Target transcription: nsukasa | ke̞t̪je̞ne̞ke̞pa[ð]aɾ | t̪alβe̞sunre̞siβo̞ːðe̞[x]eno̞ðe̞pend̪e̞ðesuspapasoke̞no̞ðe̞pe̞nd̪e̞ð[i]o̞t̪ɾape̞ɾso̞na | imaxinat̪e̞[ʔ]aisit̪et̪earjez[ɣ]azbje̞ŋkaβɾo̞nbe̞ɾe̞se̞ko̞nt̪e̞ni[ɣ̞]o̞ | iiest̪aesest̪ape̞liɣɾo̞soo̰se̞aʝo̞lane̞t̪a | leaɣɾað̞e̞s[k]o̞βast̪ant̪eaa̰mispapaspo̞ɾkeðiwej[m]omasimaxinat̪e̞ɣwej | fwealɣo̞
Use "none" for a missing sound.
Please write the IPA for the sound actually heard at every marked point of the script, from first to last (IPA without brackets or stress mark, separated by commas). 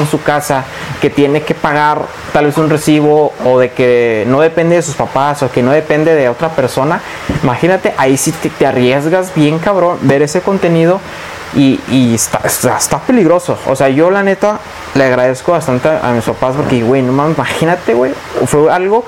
ɣ, k, e, ʔ, ɣ, ð̞, k, n